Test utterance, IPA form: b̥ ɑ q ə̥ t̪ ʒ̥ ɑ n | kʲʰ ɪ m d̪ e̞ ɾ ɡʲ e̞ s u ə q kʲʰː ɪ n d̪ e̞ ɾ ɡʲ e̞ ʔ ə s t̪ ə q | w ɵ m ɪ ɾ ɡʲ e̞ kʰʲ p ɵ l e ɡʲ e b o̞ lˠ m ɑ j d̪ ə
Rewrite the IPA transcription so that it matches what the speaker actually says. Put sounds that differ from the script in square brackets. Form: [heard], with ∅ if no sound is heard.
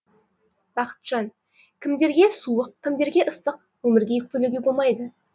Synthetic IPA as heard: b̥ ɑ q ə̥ t̪ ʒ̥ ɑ n | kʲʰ ɪ m d̪ e̞ ɾ ɡʲ e̞ s u ə q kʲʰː ɪ [m] d̪ e̞ ɾ ɡʲ e̞ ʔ ə s t̪ ə q | w ɵ m ɪ ɾ ɡʲ e̞ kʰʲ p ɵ l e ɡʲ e b o̞ lˠ m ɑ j d̪ ə